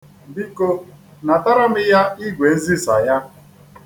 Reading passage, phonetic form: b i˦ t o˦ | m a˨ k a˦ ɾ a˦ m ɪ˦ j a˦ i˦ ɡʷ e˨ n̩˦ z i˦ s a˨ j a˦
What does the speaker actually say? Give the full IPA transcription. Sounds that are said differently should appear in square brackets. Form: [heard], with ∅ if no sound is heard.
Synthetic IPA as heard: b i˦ [k] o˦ | [n] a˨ [t] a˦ ɾ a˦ m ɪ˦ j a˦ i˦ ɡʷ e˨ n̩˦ z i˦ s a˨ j a˦